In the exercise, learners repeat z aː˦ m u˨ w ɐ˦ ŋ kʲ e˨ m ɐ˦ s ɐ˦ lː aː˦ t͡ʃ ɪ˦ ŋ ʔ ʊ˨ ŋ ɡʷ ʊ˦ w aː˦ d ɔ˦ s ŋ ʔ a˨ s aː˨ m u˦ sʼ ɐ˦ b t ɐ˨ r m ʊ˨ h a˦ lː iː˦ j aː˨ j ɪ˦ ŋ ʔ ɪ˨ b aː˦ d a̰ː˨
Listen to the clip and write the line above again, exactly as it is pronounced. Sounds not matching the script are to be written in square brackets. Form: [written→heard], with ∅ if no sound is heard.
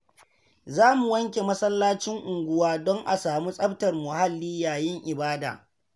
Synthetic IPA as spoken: z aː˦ m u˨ w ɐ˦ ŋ kʲ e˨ m ɐ˦ s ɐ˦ lː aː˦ t͡ʃ ɪ˦ ŋ ʔ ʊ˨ ŋ ɡʷ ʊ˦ w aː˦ d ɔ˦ [s→∅] ŋ ʔ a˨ s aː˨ m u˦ sʼ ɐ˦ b t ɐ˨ r m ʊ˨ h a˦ lː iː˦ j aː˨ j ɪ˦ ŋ ʔ ɪ˨ b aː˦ d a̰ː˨